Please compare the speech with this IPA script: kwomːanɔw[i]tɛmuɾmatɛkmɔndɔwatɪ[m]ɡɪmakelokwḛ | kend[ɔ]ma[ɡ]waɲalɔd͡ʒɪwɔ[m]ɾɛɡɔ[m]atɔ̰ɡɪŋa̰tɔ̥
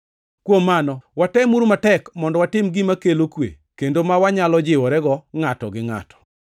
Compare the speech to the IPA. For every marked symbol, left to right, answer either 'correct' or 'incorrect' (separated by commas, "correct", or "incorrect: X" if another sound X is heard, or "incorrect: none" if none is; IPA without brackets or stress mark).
incorrect: a, correct, incorrect: o, incorrect: none, incorrect: none, incorrect: ŋ